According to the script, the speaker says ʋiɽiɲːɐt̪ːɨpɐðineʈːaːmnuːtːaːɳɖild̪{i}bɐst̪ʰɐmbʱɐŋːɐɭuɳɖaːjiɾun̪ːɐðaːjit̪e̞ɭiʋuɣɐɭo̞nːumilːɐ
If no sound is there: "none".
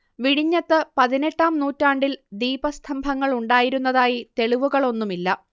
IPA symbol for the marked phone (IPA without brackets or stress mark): iː